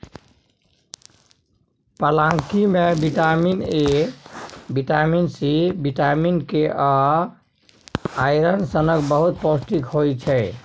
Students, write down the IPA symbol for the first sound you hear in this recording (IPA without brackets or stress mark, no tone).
p